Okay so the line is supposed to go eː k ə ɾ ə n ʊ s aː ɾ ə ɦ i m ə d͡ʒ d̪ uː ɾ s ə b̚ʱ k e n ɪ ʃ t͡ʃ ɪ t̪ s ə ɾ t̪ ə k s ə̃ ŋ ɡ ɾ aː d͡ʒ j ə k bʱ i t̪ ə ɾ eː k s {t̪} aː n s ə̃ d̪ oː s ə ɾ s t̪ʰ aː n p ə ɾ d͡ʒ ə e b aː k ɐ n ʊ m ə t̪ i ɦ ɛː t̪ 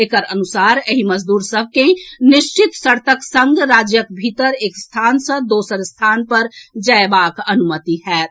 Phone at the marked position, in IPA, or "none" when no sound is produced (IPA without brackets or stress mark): t̪ʰ